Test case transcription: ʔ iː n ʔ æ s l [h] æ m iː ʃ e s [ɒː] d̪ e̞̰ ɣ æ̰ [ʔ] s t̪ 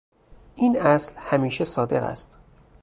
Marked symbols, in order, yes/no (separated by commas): yes, yes, no